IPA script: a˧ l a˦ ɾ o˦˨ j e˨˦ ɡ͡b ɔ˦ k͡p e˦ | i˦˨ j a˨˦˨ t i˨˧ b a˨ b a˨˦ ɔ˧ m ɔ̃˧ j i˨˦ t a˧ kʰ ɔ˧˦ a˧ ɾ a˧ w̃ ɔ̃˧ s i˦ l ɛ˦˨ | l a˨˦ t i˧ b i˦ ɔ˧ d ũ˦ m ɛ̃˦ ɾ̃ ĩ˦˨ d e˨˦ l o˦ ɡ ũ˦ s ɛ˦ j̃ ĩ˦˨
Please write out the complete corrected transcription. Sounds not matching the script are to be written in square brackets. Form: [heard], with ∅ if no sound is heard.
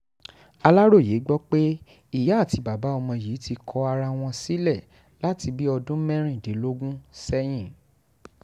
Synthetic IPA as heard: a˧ l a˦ ɾ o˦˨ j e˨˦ ɡ͡b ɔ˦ k͡p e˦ | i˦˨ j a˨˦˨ t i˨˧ b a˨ b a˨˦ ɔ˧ m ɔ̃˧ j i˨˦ t [i˧] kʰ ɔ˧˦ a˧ ɾ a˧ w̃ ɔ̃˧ s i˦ l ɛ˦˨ | l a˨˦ t i˧ b i˦ ɔ˧ d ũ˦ m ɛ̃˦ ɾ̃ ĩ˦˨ d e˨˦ l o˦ ɡ ũ˦ s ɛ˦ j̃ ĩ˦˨